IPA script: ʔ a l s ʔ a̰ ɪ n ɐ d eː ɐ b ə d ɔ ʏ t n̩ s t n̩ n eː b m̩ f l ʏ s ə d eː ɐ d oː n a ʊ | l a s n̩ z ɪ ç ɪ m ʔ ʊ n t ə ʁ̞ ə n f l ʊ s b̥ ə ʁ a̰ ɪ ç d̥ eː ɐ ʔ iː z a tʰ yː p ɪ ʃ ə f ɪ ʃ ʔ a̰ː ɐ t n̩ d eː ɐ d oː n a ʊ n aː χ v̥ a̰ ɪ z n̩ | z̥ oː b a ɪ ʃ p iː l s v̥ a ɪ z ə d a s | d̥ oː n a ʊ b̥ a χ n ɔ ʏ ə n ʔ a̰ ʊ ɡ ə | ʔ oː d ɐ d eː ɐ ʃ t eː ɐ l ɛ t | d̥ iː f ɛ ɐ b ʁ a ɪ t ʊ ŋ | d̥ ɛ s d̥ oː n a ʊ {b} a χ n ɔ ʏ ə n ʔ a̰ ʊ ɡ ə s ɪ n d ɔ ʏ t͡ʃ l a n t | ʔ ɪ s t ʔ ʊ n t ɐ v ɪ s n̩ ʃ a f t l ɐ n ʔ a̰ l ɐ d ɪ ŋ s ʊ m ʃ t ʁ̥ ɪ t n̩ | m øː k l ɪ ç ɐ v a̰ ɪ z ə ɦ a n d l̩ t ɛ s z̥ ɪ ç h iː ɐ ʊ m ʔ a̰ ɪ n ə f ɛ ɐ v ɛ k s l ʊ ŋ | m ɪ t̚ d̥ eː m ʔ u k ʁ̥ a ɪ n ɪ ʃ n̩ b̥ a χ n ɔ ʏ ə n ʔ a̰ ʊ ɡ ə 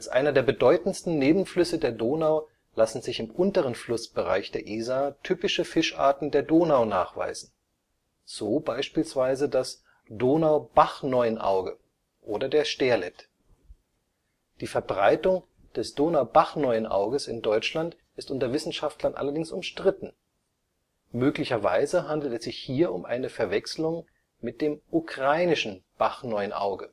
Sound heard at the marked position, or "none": b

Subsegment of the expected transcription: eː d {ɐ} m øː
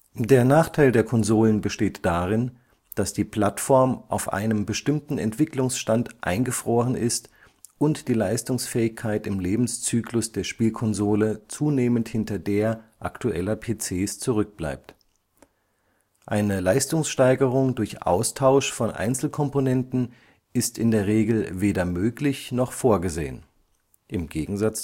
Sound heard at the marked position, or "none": ɐ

